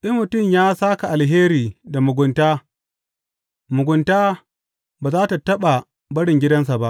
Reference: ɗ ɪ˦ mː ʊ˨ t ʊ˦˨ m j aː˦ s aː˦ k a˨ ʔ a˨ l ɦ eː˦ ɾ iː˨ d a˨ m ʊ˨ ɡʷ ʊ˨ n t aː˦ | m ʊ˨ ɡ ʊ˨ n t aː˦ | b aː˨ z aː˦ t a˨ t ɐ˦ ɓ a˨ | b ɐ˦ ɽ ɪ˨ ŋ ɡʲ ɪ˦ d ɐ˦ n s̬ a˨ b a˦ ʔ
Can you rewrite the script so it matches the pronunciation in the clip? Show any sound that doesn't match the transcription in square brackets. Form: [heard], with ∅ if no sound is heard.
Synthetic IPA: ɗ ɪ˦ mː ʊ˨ t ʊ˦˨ m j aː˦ s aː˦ k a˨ ʔ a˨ l ɦ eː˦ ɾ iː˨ d a˨ m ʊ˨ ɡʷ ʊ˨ n t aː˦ | m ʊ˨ ɡ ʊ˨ n t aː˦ | b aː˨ z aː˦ t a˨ t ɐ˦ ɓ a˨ | b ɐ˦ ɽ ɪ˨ ŋ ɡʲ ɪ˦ d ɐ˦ n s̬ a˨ b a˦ ʔ